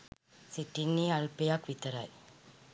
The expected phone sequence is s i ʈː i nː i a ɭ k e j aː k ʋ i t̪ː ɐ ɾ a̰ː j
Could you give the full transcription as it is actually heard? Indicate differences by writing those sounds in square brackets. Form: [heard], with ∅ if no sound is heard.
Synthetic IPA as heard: s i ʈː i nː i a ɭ [p] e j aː k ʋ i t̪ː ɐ ɾ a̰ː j